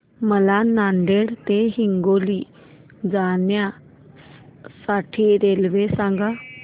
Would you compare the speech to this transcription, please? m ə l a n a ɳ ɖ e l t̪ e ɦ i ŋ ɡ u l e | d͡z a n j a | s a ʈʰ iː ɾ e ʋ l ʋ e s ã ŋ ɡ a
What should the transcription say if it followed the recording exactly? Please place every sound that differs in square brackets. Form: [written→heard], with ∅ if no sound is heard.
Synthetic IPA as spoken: m ə l a n a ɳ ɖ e [l→ɽ] t̪ e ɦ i ŋ ɡ [u→o] l [e→i] | d͡z a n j a | s a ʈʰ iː ɾ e [ʋ→∅] l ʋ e s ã ŋ ɡ a